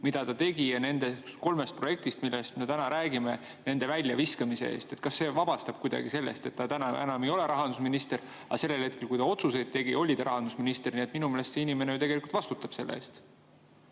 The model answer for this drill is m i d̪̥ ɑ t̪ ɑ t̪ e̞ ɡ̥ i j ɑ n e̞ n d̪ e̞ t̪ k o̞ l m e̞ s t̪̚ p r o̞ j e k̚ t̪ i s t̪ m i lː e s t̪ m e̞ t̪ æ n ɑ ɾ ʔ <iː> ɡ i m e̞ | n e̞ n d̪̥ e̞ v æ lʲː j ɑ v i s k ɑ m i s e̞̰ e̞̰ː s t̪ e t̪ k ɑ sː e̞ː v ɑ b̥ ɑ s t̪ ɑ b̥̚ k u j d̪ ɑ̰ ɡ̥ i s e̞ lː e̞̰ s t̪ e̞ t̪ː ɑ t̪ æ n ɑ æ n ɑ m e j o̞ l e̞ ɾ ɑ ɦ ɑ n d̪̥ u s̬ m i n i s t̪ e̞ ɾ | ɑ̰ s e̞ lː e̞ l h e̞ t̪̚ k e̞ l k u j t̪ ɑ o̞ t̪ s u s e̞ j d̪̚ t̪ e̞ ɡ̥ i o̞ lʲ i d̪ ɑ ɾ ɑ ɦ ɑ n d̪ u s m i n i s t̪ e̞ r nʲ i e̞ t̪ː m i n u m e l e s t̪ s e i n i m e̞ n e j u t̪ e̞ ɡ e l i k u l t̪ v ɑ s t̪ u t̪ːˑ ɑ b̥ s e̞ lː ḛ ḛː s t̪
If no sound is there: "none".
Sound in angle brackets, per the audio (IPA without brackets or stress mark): æː